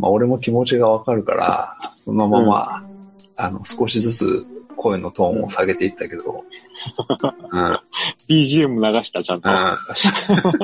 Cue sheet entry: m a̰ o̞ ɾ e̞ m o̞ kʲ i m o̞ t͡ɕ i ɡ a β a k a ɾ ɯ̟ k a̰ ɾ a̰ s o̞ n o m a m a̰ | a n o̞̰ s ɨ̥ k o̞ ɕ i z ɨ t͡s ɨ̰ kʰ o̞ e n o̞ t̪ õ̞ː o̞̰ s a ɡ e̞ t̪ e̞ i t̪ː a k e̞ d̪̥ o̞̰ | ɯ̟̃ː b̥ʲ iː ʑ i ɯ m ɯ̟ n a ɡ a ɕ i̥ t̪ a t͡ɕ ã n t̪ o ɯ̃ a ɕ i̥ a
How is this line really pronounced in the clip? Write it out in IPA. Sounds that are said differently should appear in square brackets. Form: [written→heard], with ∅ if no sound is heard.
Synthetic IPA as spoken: m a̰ o̞ ɾ e̞ m o̞ kʲ i m o̞ t͡ɕ i ɡ a β a k a ɾ ɯ̟ k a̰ ɾ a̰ s o̞ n o m a m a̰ | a n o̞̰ s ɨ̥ k o̞ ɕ i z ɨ t͡s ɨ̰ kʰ o̞ e n o̞ t̪ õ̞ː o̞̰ s a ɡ e̞ t̪ e̞ i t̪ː a k e̞ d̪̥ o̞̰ | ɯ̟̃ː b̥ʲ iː ʑ i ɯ m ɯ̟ n a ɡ a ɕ i̥ t̪ a t͡ɕ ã n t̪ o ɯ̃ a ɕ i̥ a